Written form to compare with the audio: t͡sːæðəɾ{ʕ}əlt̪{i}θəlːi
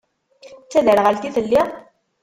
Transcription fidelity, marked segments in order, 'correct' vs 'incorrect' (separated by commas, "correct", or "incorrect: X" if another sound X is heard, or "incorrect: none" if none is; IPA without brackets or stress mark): incorrect: ʁ, correct